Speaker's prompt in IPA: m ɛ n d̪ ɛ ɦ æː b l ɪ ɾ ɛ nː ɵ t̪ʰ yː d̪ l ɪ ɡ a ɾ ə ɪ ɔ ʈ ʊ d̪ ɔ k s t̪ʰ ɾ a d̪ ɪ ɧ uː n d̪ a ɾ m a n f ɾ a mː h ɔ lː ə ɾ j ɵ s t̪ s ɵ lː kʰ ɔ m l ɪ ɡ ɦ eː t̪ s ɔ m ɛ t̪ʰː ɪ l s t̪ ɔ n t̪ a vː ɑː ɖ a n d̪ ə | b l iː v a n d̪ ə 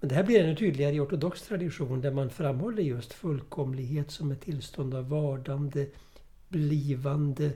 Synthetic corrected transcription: m ɛ n d̪ ɛ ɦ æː b l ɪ ɾ ɛ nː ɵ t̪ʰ yː d̪ l ɪ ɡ a ɾ ə ɪ ɔ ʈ ʊ d̪ ɔ k s t̪ʰ ɾ a d̪ ɪ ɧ uː n d̪ æ ɾ m a n f ɾ a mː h ɔ lː ə ɾ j ɵ s t̪ f ɵ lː kʰ ɔ m l ɪ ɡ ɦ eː t̪ s ɔ m ɛ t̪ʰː ɪ l s t̪ ɔ n d̪ a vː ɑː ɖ a n d̪ ə | b l iː v a n d̪ ə